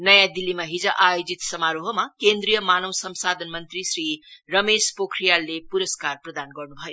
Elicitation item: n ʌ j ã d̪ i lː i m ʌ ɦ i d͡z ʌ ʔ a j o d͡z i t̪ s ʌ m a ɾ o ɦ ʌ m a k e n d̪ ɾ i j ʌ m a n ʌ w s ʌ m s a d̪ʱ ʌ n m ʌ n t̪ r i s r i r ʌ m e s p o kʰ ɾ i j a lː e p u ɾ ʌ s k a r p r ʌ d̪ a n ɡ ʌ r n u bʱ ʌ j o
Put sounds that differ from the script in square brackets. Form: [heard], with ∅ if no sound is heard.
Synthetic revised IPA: n ʌ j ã d̪ i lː i m [a] ɦ i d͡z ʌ ʔ a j o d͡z i t̪ s ʌ m a ɾ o ɦ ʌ m a k e n d̪ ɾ i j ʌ m a n ʌ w s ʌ m s a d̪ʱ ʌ n m ʌ n t̪ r i s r i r ʌ m e s p o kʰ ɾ i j a lː e p u ɾ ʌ s k a r p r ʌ d̪ a n ɡ ʌ r n u bʱ ʌ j o